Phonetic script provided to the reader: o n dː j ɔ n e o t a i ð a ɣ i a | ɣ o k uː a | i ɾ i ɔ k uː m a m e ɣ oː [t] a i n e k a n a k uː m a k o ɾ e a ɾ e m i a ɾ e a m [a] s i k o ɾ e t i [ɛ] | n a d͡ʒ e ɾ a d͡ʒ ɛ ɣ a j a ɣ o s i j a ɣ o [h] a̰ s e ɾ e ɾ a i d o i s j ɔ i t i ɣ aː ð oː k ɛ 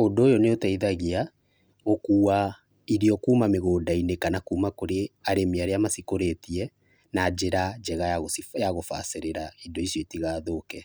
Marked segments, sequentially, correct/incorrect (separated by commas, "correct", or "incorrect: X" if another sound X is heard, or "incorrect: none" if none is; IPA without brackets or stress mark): incorrect: d, correct, correct, incorrect: f